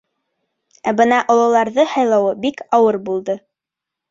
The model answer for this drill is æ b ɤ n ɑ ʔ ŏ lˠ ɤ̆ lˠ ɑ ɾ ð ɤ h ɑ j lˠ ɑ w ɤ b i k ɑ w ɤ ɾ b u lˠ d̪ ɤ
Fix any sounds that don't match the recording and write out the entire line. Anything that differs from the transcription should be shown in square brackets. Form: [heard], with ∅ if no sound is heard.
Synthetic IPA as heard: æ b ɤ n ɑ ʔ ŏ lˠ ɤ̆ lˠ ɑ ɾ ð ɤ h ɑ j lˠ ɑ w ɤ b i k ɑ w ɤ ɾ b u lˠ d̪ ɤ